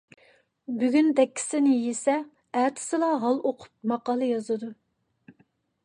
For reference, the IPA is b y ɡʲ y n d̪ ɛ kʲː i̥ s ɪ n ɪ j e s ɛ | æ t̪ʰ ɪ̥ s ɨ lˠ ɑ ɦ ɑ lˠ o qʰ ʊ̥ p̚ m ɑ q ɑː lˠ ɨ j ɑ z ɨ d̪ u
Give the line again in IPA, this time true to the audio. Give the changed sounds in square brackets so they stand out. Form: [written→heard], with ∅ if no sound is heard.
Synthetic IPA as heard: b y ɡʲ y n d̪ ɛ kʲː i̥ s ɪ n ɪ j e s ɛ | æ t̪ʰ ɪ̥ s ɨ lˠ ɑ ɦ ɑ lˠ o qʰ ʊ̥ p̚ m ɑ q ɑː lˠ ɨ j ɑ z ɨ d̪ u